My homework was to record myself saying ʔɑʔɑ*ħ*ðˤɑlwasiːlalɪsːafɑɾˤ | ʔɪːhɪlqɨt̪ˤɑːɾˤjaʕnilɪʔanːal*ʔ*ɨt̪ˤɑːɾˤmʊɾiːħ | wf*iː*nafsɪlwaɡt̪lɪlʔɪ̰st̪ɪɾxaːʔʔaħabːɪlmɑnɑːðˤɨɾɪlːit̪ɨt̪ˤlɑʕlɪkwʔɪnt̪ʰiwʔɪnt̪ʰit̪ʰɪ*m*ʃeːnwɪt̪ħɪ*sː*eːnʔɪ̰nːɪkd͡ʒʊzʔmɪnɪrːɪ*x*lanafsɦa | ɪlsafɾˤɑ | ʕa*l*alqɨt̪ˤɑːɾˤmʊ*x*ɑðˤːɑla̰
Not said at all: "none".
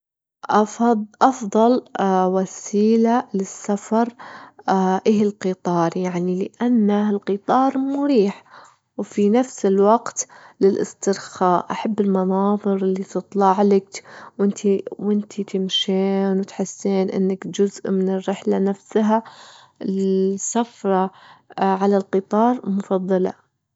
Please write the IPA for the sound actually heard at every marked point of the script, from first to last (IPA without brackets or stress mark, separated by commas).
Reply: f, q, i, m, sː, ħ, l, f